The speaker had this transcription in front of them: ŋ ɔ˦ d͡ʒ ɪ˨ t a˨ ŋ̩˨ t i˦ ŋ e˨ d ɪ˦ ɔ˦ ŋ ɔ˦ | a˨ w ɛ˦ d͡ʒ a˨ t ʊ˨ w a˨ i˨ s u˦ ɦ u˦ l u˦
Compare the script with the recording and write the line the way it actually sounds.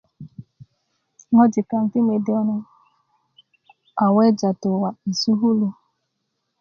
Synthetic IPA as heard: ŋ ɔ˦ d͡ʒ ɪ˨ k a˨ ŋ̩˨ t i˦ m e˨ d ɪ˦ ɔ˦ n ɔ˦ | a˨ w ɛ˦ d͡ʒ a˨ t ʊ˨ w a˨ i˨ s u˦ ɦ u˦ l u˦